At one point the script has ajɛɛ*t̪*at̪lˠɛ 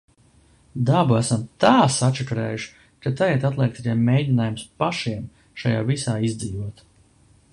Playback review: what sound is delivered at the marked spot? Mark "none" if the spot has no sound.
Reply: t̪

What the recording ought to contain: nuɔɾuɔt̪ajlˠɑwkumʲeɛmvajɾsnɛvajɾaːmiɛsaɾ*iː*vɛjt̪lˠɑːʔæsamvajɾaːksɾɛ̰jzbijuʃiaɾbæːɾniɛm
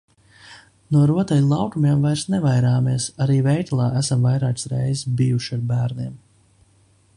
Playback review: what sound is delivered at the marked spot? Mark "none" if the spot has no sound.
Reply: iː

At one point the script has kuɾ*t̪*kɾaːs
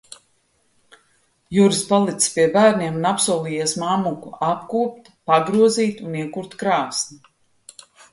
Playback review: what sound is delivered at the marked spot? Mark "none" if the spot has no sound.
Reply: t̪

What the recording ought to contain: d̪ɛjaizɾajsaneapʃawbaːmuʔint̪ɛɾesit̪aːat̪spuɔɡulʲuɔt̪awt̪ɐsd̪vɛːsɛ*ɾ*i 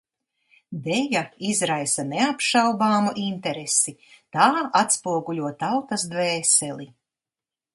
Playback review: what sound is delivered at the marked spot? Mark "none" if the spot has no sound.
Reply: l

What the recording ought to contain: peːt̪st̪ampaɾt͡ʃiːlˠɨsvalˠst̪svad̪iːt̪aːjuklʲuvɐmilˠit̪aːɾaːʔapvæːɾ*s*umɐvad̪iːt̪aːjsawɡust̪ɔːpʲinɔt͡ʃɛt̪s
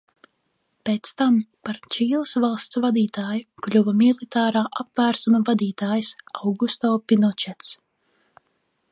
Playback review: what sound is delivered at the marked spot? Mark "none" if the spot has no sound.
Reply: s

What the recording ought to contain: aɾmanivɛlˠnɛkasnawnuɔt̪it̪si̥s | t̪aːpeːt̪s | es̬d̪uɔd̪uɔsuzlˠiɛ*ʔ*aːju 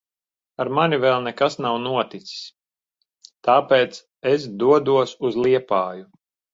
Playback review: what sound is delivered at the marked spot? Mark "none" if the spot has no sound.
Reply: p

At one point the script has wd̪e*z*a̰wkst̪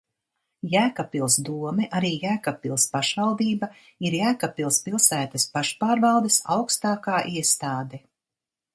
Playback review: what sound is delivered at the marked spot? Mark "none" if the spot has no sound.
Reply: s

